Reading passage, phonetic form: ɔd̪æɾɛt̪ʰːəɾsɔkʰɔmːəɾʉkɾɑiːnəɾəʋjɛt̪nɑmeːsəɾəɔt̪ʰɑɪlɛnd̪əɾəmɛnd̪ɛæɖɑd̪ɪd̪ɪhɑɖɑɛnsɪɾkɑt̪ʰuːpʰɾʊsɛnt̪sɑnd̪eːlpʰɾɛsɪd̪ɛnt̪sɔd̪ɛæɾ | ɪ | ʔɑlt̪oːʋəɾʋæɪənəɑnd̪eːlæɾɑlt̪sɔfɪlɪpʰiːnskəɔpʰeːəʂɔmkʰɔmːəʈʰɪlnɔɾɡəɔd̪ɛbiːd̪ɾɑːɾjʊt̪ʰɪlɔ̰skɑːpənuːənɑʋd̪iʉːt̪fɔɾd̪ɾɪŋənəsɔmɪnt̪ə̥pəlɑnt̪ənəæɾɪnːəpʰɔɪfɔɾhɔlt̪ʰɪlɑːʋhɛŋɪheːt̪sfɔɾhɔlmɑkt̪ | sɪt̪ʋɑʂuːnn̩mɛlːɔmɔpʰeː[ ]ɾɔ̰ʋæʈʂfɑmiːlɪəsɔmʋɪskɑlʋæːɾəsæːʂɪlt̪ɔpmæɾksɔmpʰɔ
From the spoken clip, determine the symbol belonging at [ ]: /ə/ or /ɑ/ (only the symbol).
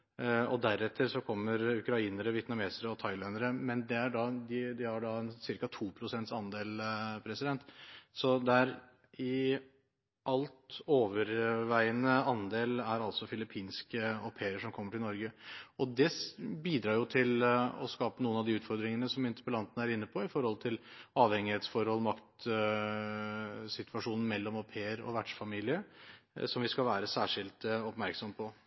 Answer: ə